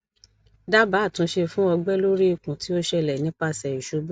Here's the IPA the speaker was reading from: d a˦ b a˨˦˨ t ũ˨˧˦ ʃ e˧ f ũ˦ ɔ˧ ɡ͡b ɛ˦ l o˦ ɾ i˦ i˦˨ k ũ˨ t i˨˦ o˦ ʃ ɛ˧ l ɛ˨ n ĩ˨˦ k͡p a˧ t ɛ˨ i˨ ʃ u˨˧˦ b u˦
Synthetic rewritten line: d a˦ b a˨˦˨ t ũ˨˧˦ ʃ e˧ f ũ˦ ɔ˧ ɡ͡b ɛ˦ l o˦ ɾ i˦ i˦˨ k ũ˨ t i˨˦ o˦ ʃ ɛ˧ l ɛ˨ n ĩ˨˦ k͡p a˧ s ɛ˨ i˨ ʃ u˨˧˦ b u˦